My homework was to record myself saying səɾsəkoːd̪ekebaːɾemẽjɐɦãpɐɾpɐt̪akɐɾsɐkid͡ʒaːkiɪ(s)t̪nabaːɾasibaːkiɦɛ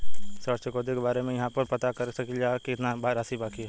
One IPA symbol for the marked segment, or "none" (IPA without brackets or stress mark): none